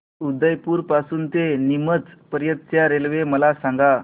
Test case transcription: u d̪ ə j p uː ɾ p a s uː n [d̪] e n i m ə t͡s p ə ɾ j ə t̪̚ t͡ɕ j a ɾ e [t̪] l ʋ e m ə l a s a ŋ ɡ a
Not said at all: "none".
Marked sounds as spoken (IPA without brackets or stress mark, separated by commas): t̪, none